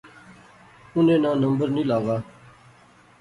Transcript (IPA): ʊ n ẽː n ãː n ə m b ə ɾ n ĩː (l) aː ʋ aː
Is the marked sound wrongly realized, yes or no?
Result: no